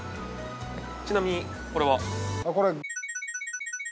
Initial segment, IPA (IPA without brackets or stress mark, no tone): t͡ɕ